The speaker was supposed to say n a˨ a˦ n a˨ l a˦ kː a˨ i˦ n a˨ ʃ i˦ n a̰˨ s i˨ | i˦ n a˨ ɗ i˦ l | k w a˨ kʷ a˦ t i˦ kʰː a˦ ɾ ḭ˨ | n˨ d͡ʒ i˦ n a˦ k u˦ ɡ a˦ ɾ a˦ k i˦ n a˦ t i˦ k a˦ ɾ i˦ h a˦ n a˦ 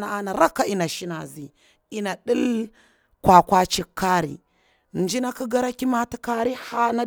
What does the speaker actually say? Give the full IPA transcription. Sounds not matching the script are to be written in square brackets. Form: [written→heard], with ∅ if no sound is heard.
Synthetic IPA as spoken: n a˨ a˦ n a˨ [l→ɾ] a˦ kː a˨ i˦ n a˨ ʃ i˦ n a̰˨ [s→z] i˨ | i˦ n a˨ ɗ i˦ l | k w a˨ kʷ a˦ [t→t͡ʃ] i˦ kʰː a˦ ɾ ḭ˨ | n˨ d͡ʒ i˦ n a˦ k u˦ ɡ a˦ ɾ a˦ k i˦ [n→m] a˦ t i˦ k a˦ ɾ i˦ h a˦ n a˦